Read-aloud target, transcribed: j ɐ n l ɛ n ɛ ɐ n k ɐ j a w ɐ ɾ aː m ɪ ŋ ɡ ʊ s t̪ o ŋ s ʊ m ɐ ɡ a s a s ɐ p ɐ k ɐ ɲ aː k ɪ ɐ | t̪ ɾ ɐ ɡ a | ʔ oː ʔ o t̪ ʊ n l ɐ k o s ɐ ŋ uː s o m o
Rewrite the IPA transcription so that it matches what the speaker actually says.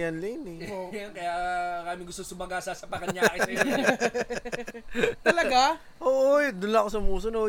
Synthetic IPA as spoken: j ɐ n l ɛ n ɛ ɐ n k ɐ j a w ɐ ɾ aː m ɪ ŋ ɡ ʊ s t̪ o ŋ s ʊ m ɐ ɡ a s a s ɐ p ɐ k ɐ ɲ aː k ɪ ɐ | t̪ l ɐ ɡ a | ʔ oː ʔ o d̪ ʊ n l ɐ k o s ɐ m uː s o n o